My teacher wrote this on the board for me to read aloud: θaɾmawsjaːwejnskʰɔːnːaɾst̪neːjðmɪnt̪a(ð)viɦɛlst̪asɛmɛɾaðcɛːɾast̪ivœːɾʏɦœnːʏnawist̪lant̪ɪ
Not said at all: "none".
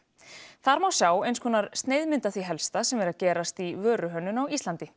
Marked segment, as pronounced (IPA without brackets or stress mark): θ